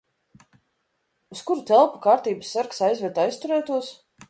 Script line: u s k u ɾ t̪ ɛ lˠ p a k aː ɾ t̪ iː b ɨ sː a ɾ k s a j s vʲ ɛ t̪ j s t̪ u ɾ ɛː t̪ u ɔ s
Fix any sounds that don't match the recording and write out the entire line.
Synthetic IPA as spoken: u s k u ɾ t̪ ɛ lˠ p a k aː ɾ t̪ iː b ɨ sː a ɾ k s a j z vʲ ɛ t̪ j s t̪ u ɾ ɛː t̪ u ɔ s

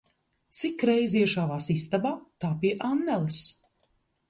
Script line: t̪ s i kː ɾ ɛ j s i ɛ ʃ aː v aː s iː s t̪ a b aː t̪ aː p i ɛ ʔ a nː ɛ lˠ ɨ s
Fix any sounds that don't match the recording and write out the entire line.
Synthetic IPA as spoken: t̪ s i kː ɾ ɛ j z i ɛ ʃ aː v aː s i s t̪ a b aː t̪ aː p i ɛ ʔ a nː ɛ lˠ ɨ s

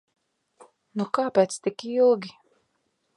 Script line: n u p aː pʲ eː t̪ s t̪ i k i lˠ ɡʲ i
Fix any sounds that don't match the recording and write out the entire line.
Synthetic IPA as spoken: n u k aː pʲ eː t̪ s t̪ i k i lˠ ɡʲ i

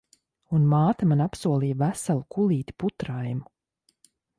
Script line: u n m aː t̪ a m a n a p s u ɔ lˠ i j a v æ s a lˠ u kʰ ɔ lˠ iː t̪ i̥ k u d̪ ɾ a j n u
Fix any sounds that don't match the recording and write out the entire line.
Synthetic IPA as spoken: u n m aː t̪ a m a n a p s u ɔ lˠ i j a v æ s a lˠ u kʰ u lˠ iː t̪ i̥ p u t̪ ɾ a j m u

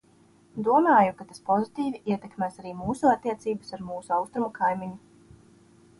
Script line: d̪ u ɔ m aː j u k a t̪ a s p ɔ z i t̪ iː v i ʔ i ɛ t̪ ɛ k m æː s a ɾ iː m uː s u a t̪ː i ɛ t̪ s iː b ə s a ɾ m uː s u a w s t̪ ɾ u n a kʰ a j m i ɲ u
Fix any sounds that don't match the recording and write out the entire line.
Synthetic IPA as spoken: d̪ u ɔ m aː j u k a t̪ a s p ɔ z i t̪ iː v i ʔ i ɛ t̪ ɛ k m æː s a ɾ iː m uː s u a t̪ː i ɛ t̪ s iː b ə s a ɾ m uː s u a w s t̪ ɾ u m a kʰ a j m i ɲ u

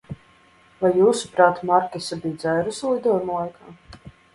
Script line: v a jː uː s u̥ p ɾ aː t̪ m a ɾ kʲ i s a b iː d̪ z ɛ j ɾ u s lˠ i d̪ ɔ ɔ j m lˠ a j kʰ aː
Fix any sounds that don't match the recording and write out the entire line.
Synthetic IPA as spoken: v a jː uː s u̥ p ɾ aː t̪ m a ɾ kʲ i s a b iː d̪ z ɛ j ɾ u s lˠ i d̪ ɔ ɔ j m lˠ a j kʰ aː

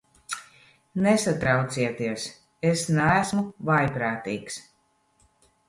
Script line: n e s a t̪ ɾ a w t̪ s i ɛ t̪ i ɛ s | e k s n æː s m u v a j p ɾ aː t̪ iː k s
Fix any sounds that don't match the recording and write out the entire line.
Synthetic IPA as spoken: n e s a t̪ ɾ a w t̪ s i ɛ t̪ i ɛ s | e s n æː s m u v a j p ɾ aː t̪ iː k s

